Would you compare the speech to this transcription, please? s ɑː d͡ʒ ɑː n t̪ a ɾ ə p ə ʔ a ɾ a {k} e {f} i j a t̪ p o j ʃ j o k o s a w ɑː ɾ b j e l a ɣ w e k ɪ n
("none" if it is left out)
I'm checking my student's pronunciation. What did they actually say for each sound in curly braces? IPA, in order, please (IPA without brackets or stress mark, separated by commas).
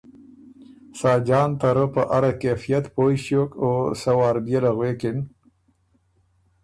k, f